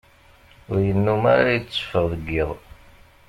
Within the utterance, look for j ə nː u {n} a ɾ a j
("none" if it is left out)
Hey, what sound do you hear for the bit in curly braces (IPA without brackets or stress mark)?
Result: m